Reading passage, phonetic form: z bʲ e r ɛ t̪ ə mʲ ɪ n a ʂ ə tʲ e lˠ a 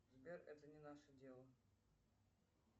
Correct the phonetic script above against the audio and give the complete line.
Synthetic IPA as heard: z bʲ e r ɛ t̪ ə nʲ ɪ n a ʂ ə dʲ e lˠ ə